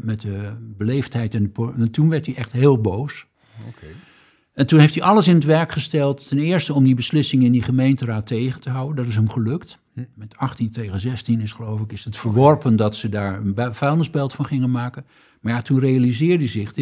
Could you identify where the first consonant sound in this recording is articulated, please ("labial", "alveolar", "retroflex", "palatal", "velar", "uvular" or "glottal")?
labial